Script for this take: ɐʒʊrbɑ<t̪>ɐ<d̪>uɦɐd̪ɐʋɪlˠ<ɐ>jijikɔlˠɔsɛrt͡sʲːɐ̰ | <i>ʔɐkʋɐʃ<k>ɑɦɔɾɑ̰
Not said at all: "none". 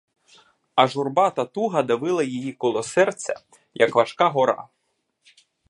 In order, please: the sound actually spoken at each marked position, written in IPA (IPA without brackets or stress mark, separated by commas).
t̪, t̪, ɐ, j, k